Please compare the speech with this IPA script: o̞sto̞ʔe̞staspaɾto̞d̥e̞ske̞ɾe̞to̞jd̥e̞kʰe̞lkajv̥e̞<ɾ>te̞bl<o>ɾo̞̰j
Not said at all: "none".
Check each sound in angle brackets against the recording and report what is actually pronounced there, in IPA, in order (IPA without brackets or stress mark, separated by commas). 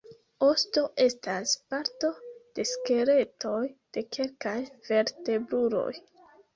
ɾ, u